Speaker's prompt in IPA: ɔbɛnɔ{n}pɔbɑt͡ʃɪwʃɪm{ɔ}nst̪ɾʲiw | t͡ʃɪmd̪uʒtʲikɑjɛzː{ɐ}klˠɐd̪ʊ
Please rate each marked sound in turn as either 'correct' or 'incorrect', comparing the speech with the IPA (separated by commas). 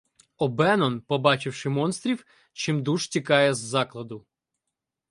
correct, correct, incorrect